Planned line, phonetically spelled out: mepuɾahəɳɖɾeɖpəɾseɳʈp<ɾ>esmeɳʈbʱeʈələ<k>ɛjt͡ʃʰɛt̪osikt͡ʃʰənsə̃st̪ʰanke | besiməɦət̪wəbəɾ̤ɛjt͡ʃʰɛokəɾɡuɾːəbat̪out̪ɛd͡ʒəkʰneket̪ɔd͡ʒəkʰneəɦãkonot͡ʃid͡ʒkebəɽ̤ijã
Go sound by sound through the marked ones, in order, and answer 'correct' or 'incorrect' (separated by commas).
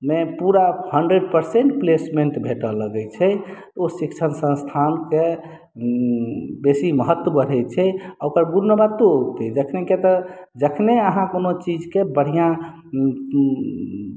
incorrect, incorrect